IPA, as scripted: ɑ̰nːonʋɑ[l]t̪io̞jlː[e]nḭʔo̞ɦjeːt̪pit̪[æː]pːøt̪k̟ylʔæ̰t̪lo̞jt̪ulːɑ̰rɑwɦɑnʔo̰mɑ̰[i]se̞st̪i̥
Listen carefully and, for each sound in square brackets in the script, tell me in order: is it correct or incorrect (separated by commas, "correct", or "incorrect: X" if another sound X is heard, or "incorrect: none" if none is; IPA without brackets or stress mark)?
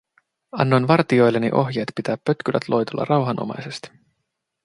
incorrect: r, correct, correct, incorrect: j